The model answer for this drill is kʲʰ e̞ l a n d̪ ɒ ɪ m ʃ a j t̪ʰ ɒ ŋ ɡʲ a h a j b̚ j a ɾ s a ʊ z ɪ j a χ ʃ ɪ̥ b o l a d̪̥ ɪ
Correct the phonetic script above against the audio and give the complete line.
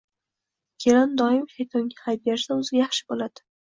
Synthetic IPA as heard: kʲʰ e̞ l a n d̪ ɒ ɪ m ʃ a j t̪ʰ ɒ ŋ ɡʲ a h a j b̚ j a ɾ s a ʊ z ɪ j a χ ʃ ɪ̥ b o l a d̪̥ ɪ

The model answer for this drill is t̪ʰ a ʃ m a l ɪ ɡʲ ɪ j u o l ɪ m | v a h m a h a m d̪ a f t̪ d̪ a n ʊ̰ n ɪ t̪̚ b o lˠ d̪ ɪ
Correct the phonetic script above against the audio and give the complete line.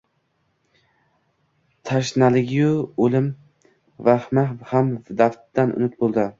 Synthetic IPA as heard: t̪ʰ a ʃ n a l ɪ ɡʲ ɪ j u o l ɪ m | v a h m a h a m d̪ a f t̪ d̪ a n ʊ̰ n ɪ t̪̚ b o lˠ d̪ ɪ

